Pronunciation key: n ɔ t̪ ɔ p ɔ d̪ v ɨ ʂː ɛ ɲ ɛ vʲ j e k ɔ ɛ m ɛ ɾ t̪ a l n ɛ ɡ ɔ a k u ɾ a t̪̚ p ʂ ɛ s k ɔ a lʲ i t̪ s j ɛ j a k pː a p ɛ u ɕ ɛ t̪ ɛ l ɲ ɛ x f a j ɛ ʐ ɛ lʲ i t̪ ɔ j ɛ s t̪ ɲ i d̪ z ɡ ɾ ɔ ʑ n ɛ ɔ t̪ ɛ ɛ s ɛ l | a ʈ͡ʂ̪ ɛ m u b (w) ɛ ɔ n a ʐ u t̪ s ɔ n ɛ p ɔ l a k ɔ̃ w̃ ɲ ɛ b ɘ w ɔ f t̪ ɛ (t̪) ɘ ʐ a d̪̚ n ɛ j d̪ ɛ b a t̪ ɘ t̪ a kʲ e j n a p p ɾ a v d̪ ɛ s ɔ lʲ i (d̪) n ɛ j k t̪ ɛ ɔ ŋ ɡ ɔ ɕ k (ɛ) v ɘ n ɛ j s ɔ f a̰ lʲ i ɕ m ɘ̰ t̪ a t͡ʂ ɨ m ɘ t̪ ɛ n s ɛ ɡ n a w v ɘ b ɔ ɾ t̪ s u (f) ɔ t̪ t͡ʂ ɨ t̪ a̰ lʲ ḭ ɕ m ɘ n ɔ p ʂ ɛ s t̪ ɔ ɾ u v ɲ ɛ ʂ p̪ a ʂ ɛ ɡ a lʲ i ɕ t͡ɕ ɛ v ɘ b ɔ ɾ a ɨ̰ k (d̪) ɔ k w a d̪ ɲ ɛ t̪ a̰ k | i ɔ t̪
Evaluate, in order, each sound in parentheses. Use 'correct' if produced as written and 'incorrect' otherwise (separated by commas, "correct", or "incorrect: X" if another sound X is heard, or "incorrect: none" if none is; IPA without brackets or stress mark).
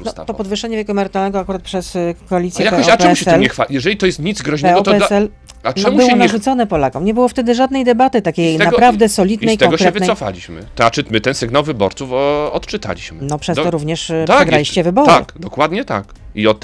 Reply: correct, incorrect: d̪, correct, correct, correct, correct